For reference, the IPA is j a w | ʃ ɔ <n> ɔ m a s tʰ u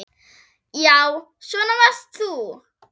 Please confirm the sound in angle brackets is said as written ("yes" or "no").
yes